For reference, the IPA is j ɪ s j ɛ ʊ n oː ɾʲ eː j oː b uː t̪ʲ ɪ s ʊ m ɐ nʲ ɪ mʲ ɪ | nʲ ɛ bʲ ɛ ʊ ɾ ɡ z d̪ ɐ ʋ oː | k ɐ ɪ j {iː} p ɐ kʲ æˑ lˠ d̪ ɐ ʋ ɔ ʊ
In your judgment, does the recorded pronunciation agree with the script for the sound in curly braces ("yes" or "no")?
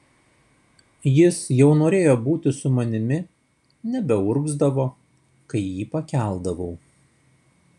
yes